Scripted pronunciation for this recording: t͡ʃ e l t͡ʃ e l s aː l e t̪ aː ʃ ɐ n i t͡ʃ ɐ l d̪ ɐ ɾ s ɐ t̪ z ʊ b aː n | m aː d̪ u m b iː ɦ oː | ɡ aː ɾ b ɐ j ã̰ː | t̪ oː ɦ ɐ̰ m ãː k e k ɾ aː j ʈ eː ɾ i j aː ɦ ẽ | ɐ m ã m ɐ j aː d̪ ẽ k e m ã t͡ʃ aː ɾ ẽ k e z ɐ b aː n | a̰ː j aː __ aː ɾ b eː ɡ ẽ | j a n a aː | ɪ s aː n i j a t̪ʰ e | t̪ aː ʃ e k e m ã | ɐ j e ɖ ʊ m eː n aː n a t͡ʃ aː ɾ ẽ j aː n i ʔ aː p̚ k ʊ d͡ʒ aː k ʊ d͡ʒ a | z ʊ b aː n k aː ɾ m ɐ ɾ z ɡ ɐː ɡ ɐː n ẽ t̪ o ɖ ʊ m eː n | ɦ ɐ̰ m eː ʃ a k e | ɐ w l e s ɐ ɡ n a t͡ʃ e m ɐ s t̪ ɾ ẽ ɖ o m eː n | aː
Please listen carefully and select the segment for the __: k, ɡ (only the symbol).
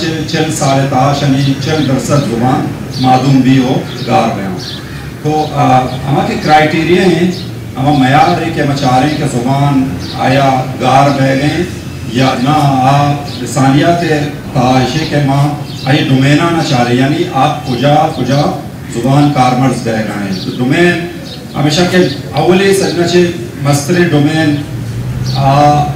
ɡ